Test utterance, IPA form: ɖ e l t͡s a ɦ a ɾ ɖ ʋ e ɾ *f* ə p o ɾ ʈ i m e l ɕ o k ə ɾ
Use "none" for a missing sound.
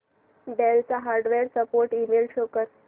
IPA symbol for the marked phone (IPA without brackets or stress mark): s